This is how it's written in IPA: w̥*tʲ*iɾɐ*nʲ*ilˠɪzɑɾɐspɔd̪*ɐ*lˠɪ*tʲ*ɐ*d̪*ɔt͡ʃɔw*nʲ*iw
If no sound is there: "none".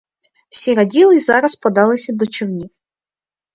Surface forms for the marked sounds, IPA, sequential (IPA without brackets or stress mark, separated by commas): sʲ, dʲ, ɑ, sʲ, d̪, nʲ